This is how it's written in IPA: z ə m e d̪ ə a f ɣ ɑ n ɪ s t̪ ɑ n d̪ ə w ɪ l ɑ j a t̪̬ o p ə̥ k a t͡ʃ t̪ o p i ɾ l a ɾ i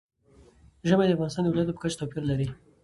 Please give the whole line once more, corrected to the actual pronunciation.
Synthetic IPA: ʒ ə m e d̪ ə a f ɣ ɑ n ɪ s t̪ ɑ n d̪ ə w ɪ l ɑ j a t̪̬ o p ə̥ k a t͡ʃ t̪ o p i ɾ l a ɾ i